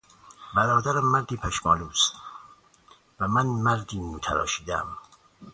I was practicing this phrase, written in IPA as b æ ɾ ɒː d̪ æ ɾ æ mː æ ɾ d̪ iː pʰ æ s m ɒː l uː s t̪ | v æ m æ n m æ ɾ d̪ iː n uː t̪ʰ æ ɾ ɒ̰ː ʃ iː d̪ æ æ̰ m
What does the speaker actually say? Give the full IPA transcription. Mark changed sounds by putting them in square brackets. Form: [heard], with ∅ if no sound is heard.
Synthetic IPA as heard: b æ ɾ ɒː d̪ æ ɾ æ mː æ ɾ d̪ iː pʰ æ [ʃ] m ɒː l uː s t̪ | v æ m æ n m æ ɾ d̪ iː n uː t̪ʰ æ ɾ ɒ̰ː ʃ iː d̪ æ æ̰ m